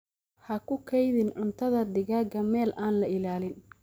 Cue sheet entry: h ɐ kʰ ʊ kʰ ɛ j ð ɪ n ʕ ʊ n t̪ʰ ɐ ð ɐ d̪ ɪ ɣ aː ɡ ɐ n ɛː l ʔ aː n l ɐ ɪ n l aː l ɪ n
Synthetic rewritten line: h ɐ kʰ ʊ kʰ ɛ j ð ɪ n ʕ ʊ n t̪ʰ ɐ ð ɐ d̪ ɪ ɣ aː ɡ ɐ m ɛː l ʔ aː n l ɐ ɪ l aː l ɪ n